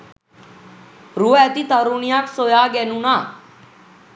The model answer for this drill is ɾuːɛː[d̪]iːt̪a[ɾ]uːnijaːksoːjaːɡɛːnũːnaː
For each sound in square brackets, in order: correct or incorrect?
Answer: incorrect: t̪, correct

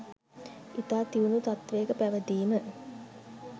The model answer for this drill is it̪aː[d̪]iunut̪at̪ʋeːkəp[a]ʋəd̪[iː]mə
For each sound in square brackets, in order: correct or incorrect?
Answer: incorrect: t̪, incorrect: æ, correct

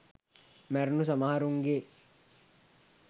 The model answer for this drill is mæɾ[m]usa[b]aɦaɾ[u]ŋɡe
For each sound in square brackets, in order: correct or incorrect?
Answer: incorrect: n, incorrect: m, correct

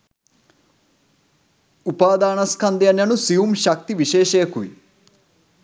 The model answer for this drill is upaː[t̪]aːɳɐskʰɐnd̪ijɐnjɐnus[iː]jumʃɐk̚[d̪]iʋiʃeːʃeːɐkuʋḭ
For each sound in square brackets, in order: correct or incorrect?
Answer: incorrect: d̪, incorrect: i, incorrect: t̪

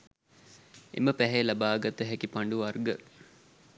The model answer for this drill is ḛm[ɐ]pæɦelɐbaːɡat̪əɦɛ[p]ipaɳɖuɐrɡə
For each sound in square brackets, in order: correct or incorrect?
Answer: incorrect: ə, incorrect: k

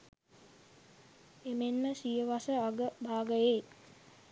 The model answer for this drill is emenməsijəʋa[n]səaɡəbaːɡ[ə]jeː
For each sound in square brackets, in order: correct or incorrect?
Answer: incorrect: none, correct

